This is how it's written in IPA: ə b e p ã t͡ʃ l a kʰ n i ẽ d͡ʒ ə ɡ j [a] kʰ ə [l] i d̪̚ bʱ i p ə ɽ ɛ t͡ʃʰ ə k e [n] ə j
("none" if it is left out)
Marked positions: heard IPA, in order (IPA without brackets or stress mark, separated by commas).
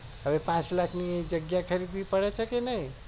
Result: a, ɾ, n